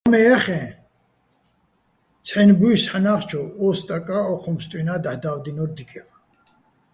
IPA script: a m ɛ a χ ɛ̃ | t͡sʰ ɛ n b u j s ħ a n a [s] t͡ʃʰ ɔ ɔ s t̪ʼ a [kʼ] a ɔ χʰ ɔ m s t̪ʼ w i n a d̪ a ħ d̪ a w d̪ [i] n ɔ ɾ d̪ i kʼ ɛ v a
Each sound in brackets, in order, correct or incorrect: incorrect: χ, correct, correct

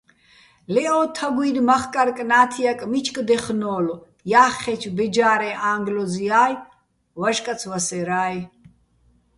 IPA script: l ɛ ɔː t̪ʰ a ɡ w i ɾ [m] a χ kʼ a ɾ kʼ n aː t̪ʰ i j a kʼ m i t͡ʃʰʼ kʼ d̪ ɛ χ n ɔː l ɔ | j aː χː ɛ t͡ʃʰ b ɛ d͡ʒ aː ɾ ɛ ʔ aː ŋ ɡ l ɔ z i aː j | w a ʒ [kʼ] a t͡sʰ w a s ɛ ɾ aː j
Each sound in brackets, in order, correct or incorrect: correct, correct

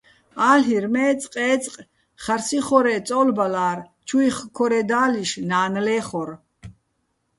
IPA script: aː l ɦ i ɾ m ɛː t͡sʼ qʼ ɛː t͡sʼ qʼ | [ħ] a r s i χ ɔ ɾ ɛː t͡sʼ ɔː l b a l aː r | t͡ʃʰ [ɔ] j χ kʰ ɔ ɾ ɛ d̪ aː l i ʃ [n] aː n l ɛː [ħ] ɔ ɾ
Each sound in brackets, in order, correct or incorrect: incorrect: χ, incorrect: u, correct, incorrect: χ

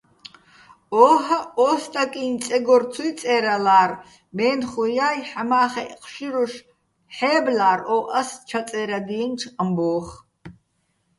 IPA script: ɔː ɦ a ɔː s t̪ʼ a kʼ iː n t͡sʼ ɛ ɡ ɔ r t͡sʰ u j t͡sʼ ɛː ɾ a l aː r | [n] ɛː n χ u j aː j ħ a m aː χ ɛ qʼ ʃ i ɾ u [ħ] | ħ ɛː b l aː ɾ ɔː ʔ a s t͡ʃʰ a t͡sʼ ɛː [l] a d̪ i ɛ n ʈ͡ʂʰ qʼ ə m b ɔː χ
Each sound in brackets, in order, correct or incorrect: incorrect: m, incorrect: ʃ, incorrect: ɾ

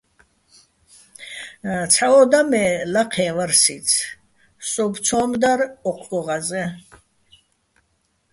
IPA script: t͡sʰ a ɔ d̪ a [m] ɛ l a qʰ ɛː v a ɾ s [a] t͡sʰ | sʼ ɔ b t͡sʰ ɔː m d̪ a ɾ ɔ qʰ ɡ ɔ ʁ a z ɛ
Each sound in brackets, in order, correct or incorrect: correct, incorrect: i

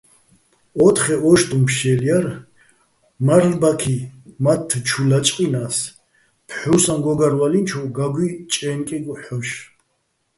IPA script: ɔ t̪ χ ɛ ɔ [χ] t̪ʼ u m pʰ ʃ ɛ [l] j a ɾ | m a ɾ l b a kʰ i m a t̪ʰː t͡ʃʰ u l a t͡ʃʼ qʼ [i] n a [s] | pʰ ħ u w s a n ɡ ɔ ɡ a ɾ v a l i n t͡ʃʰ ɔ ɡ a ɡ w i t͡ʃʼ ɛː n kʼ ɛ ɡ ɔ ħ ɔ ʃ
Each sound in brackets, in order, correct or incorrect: incorrect: ʃ, correct, correct, correct

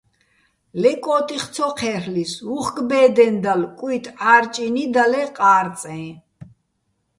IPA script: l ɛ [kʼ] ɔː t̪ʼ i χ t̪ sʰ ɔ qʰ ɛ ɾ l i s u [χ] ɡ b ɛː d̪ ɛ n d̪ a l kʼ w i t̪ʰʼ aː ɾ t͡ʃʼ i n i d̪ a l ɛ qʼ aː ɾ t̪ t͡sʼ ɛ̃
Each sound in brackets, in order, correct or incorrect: correct, correct

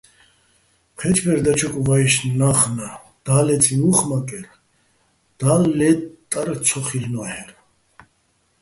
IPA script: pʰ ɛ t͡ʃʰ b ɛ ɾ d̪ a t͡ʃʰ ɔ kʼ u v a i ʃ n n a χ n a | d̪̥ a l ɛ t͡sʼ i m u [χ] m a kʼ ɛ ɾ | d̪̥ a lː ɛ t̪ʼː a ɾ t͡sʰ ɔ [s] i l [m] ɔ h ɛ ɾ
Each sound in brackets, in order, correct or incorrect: correct, incorrect: χ, incorrect: n

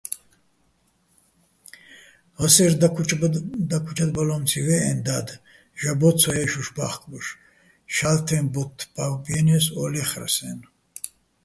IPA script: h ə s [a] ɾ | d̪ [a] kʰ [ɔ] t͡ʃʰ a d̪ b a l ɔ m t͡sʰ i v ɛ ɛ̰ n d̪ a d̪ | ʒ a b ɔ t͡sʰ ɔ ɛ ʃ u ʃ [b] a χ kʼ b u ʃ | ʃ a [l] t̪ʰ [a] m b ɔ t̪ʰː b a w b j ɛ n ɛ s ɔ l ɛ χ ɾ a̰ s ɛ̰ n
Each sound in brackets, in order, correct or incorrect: incorrect: ɛ, correct, incorrect: u, correct, correct, incorrect: ɛ

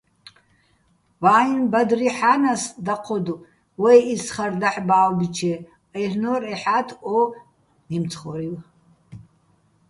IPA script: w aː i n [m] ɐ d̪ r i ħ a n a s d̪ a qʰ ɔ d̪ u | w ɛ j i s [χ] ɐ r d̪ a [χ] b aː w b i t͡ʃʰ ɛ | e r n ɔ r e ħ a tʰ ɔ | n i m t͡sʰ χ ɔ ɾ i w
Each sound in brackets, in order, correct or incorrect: incorrect: b, correct, incorrect: ħ

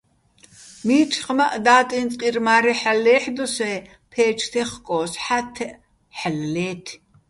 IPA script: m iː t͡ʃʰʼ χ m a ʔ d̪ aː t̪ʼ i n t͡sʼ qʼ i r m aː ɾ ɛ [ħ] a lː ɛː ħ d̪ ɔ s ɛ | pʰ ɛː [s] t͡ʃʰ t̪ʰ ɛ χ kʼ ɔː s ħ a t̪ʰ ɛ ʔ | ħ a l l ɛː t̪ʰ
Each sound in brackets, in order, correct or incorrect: correct, incorrect: none

